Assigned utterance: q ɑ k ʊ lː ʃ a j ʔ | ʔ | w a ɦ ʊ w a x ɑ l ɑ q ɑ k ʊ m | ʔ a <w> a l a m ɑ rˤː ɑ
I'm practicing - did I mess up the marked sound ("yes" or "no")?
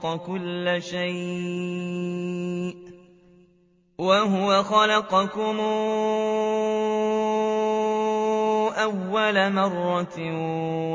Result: yes